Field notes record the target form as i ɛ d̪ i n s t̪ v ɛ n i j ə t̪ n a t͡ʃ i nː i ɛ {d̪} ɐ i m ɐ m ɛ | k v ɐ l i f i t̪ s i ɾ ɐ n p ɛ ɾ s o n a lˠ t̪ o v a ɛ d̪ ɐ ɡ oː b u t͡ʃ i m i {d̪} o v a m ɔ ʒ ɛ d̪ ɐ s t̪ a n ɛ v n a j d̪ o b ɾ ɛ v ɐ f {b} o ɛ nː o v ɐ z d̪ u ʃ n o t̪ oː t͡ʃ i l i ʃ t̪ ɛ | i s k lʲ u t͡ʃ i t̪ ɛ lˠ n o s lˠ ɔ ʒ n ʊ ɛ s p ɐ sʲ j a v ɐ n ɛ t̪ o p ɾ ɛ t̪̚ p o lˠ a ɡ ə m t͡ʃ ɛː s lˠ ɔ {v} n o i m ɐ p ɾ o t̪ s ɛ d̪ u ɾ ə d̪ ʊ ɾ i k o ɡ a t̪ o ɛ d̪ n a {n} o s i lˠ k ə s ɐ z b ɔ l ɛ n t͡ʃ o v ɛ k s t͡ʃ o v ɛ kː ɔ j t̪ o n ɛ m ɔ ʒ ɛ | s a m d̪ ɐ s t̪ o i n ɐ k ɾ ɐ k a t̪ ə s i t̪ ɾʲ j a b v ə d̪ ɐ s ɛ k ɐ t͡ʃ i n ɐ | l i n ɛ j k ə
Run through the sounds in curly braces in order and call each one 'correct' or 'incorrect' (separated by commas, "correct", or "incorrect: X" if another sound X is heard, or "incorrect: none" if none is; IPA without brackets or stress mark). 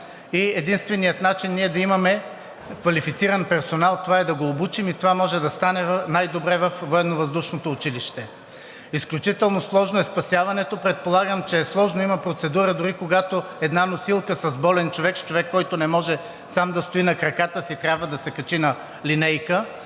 correct, incorrect: t̪, incorrect: v, incorrect: ʒ, correct